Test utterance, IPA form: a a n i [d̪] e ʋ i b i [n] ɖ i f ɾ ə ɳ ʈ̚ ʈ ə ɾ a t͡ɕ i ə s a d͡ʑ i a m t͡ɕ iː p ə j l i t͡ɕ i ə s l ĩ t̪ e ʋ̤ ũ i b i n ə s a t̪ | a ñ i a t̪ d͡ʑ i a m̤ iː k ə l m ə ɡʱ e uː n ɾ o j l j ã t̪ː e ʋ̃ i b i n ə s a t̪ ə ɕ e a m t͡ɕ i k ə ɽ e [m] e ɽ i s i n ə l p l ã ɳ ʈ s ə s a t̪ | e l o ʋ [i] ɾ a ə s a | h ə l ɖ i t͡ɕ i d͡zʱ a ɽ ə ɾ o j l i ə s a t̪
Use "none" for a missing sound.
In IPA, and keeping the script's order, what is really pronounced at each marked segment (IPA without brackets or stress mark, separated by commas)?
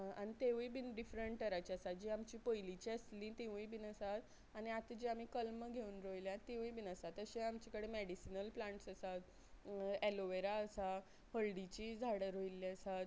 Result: t̪, n, m, e